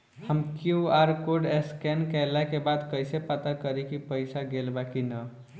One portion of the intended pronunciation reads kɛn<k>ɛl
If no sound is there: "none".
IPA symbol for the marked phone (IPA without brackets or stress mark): k